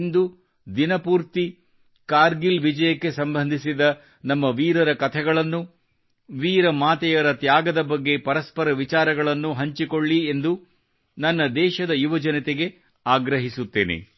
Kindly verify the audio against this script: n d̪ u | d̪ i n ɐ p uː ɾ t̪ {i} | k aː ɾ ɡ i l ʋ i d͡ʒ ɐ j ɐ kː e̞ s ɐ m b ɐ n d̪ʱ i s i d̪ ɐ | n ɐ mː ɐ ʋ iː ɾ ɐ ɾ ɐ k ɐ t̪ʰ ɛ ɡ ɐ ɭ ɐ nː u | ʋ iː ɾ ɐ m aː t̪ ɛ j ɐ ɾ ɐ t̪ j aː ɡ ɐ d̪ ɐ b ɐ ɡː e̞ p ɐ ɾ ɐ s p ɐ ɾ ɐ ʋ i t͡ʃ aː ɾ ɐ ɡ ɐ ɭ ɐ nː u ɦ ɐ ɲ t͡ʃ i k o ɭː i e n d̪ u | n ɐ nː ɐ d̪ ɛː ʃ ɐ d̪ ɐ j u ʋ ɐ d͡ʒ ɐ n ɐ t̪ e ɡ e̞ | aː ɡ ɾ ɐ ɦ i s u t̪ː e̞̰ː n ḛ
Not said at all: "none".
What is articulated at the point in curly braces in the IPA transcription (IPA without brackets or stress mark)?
i